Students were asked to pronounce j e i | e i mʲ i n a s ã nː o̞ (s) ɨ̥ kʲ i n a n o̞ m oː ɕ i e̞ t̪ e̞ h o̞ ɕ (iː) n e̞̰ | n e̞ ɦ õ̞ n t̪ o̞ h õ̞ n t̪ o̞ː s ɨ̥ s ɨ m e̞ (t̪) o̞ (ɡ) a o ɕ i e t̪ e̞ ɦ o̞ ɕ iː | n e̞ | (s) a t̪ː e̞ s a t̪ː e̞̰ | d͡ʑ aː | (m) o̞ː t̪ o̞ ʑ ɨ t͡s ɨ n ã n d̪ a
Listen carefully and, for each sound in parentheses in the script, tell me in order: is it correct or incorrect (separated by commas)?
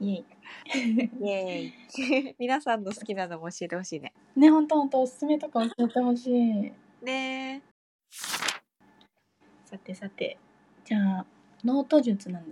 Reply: correct, correct, correct, incorrect, correct, incorrect